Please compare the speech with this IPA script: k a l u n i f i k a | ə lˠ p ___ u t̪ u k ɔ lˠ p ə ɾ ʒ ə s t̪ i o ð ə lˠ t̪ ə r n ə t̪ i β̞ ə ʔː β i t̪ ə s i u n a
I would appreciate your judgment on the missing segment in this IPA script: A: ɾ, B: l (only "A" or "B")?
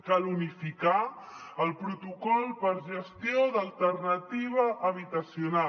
A